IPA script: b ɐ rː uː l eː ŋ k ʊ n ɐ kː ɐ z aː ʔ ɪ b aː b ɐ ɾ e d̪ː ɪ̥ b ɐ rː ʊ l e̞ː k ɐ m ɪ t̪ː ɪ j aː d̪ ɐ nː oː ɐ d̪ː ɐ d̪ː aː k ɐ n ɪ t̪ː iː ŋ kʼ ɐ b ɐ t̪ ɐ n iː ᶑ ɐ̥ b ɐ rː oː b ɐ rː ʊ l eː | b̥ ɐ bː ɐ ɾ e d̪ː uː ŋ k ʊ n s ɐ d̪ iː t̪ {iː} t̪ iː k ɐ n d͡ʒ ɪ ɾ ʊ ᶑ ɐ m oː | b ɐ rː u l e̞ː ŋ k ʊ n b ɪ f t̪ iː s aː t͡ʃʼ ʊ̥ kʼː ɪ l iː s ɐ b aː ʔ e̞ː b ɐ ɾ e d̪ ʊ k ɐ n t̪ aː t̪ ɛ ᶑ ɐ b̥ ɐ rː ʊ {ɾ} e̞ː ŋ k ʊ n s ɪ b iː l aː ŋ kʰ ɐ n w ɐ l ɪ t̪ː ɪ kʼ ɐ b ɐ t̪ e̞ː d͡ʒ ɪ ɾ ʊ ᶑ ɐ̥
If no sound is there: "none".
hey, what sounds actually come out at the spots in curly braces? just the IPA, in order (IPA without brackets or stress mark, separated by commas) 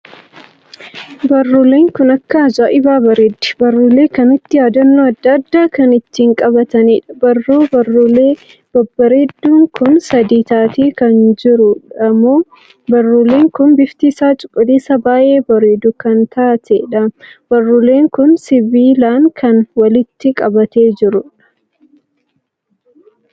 aː, l